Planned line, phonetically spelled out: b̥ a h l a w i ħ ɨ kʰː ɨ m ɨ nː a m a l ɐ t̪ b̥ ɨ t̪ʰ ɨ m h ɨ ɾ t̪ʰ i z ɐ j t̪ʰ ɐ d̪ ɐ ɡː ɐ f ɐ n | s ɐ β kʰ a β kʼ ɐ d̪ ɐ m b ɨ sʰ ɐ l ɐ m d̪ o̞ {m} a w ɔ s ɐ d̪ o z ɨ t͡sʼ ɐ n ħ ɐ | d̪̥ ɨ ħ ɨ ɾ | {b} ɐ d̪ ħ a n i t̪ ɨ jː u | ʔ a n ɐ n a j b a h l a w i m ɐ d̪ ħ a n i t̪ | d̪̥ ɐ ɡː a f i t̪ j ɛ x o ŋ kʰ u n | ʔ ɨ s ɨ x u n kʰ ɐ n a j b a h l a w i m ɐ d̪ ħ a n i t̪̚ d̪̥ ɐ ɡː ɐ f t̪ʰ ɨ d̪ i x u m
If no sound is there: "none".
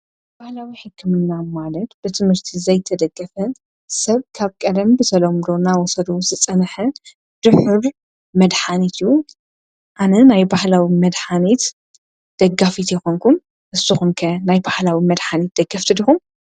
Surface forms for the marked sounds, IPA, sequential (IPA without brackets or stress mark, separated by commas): n, m